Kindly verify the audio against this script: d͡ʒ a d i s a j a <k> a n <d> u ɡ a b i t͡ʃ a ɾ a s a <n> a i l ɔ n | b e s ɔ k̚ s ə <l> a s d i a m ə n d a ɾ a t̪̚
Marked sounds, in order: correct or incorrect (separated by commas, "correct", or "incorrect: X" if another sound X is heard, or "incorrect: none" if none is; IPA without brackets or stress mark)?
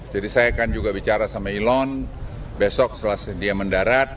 correct, incorrect: d͡ʒ, incorrect: m, correct